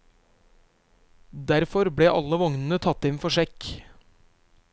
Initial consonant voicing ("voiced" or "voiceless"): voiced